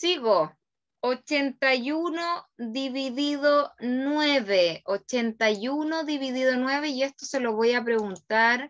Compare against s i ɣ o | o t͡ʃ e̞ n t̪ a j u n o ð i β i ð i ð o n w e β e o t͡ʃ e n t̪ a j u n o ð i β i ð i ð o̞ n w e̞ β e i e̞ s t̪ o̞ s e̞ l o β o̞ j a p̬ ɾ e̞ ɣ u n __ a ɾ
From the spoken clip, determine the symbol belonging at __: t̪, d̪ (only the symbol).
t̪